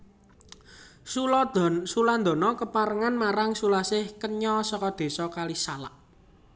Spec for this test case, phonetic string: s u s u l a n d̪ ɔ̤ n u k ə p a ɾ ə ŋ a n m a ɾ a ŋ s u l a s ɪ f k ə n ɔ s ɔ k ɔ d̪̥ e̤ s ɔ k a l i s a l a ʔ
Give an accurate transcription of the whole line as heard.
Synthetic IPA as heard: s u s u l a n d̪ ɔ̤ n ɔ k ə p a ɾ ə ŋ a n m a ɾ a ŋ s u l a s ɪ h k ə ɲ ɔ s ɔ k ɔ d̪̥ e̤ s ɔ k a l i s a l a ʔ